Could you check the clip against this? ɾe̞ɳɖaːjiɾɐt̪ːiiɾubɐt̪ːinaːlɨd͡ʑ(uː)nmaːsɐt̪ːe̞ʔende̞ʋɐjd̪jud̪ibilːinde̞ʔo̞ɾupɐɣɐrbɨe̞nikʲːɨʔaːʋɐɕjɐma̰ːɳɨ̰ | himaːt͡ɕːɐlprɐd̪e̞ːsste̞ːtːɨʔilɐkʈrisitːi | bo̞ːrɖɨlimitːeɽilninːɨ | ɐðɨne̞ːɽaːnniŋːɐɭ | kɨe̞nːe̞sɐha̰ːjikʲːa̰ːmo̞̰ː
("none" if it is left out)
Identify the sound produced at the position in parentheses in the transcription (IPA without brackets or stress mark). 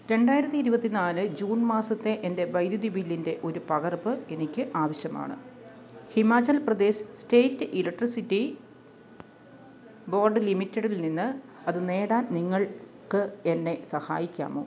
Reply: uː